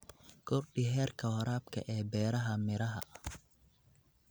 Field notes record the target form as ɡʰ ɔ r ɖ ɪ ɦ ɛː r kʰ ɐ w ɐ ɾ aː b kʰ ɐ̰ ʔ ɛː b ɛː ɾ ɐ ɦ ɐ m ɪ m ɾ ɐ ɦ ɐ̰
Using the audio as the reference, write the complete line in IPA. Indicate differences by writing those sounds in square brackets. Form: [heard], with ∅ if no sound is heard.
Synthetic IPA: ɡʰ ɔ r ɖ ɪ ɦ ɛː r kʰ ɐ w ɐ ɾ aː b kʰ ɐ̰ ʔ ɛː b ɛː ɾ ɐ ɦ ɐ m ɪ [∅] ɾ ɐ ɦ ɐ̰

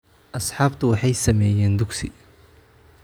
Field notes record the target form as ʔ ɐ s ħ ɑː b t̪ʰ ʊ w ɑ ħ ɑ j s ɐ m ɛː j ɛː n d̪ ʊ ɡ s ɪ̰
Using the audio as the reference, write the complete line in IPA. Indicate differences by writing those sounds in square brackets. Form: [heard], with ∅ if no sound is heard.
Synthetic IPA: ʔ ɐ s ħ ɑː b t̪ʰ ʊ w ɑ ħ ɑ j s ɐ m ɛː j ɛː n d̪ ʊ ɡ s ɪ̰

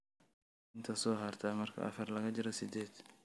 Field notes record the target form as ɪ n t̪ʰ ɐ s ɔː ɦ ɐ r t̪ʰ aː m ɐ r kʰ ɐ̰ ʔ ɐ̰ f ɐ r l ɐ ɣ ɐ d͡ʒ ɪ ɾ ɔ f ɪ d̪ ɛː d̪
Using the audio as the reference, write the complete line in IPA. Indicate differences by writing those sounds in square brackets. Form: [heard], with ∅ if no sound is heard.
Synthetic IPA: ɪ n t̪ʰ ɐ s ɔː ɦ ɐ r t̪ʰ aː m ɐ r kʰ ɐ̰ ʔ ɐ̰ f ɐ r l ɐ ɣ ɐ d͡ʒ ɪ ɾ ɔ [s] ɪ d̪ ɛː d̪

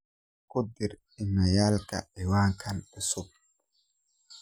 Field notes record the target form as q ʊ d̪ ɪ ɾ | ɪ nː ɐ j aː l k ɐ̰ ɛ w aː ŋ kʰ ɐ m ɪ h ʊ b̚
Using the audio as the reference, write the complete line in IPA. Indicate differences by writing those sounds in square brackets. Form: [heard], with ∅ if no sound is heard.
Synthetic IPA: [k] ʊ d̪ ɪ ɾ | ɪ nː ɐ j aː l k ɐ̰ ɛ w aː ŋ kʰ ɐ [n] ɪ [s] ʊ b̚

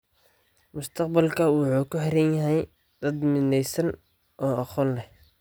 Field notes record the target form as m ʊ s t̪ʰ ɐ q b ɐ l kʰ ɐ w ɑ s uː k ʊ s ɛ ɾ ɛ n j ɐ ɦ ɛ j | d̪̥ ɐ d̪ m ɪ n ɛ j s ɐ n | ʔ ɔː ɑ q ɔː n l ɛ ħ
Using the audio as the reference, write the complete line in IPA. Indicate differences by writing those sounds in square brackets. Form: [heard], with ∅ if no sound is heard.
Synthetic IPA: m ʊ s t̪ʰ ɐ q b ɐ l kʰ ɐ w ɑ [ħ] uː k ʊ [ħ] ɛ ɾ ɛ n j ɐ ɦ ɛ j | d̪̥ ɐ d̪ m ɪ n ɛ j s ɐ n | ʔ ɔː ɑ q ɔː n l ɛ [h]

